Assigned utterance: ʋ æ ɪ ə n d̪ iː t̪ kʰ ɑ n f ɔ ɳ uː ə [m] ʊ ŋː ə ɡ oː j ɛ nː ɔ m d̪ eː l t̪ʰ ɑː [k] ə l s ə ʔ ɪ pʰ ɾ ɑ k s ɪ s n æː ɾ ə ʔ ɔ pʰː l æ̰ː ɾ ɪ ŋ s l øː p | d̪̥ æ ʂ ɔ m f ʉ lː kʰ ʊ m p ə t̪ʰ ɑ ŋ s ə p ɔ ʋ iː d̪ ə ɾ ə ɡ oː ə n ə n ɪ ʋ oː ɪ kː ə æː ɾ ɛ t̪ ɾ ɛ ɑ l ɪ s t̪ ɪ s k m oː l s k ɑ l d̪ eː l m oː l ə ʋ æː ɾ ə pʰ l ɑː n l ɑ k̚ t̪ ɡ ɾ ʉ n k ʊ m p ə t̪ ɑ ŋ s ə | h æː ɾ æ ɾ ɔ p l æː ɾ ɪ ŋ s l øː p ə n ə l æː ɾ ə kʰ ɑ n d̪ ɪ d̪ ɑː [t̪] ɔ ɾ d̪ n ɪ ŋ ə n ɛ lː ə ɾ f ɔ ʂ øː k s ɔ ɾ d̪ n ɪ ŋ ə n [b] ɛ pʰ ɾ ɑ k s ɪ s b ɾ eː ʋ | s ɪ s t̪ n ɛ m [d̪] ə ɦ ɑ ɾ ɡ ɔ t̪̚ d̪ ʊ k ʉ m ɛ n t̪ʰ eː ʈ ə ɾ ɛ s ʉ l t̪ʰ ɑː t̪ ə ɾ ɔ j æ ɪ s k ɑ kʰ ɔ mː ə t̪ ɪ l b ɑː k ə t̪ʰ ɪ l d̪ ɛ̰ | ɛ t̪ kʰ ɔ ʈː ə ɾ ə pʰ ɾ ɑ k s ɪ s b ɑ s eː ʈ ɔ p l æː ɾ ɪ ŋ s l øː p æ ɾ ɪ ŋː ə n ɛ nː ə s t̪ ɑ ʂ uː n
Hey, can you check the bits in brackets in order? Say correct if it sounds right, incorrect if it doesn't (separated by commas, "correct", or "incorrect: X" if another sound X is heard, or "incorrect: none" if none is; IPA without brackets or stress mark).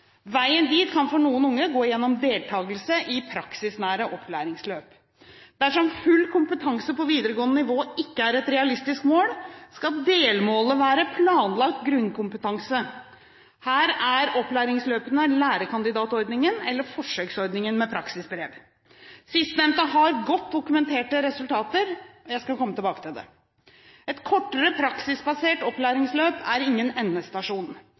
incorrect: n, incorrect: ɡ, correct, incorrect: m, incorrect: t̪